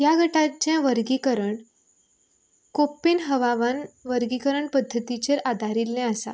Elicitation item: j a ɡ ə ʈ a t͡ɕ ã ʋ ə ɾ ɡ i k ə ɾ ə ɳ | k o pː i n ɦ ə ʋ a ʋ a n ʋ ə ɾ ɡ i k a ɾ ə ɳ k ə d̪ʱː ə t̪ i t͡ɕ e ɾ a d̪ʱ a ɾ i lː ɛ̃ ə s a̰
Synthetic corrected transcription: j a ɡ ə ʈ a t͡ɕ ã ʋ ə ɾ ɡ i k ə ɾ ə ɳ | k o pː i n ɦ ə ʋ a ʋ a n ʋ ə ɾ ɡ i k ə ɾ ə ɳ p ə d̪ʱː ə t̪ i t͡ɕ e ɾ a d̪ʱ a ɾ i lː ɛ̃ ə s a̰